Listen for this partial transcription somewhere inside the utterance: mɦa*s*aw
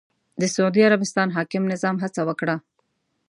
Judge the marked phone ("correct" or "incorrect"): incorrect